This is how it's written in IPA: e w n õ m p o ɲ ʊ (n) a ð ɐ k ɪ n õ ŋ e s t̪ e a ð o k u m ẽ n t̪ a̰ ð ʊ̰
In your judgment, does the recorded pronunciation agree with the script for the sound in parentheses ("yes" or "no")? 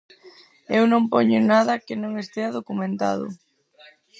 yes